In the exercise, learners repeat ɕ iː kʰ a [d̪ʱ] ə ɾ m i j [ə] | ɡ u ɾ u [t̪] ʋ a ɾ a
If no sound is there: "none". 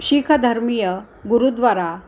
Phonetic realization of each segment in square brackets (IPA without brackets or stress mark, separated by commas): d̪ʱ, ə, d̪